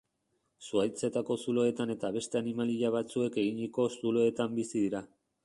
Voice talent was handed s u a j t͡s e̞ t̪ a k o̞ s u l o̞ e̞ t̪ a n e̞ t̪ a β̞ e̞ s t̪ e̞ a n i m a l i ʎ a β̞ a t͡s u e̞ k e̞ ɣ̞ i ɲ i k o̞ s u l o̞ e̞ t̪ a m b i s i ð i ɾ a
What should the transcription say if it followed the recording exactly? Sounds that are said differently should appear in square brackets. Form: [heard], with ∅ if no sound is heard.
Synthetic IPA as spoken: s u a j t͡s e̞ t̪ a k o̞ s u l o̞ e̞ t̪ a n e̞ t̪ a β̞ e̞ s t̪ e̞ a n i m a l i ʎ a β̞ a t͡s u e̞ k e̞ ɣ̞ i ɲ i k o̞ s u l o̞ e̞ t̪ a m b i s i ð i ɾ a